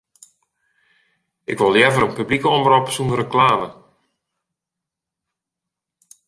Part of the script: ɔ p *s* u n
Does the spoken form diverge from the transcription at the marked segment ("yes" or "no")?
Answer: no